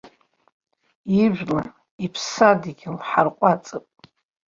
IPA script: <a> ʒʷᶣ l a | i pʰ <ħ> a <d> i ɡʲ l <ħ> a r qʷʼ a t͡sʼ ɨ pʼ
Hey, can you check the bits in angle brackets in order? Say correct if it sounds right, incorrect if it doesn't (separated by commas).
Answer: incorrect, incorrect, correct, correct